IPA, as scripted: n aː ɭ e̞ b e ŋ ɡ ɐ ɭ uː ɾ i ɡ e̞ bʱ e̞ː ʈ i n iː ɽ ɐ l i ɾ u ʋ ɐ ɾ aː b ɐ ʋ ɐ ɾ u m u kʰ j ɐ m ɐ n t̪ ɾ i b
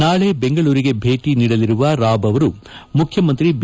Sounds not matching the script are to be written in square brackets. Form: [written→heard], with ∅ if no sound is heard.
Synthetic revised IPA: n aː ɭ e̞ b e ŋ ɡ ɐ ɭ uː ɾ i ɡ e̞ bʱ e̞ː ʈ i n iː ɽ ɐ l i ɾ u ʋ ɐ ɾ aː b ɐ ʋ ɐ ɾ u m u kʰ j ɐ m ɐ n t̪ ɾ i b